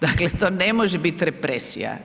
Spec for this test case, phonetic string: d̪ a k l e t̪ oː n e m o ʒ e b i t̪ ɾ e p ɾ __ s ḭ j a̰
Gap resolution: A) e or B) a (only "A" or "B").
A